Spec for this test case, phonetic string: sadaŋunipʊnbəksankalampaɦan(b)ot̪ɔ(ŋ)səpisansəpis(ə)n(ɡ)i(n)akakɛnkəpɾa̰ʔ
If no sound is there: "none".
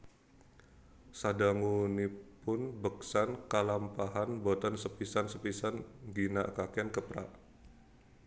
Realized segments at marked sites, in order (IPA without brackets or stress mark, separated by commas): b, n, a, ɡ, n